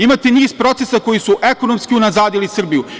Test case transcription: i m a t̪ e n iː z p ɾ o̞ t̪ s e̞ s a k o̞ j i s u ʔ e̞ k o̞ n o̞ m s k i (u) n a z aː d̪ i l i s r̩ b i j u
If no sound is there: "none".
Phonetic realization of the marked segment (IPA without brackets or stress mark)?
u